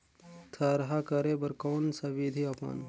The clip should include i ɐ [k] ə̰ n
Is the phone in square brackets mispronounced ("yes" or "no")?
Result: yes